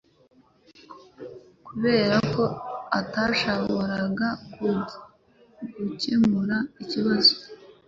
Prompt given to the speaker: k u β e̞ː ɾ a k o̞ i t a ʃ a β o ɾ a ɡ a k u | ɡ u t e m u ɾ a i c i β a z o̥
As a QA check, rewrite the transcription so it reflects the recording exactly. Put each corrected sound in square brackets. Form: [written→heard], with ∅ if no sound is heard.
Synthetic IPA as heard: k u β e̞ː ɾ a k o̞ [i→a] t a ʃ a β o ɾ a ɡ a k u | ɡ u [t→c] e m u ɾ a i c i β a z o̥